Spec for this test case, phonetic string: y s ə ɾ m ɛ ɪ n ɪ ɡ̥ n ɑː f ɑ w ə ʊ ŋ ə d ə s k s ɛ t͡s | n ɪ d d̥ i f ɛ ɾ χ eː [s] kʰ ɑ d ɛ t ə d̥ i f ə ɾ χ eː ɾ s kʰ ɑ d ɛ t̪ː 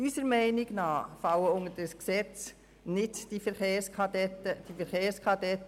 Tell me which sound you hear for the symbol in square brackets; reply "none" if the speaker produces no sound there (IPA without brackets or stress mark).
s